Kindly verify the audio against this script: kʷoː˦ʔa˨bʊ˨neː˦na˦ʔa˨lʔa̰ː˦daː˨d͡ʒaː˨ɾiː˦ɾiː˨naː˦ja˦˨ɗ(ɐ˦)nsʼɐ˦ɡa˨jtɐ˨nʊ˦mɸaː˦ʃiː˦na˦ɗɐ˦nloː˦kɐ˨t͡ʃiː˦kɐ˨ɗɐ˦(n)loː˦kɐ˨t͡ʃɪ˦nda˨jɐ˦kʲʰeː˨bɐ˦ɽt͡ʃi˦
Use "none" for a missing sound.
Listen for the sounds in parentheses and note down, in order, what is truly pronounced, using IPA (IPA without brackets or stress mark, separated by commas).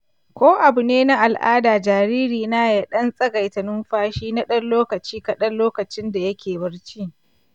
ɐ˦, n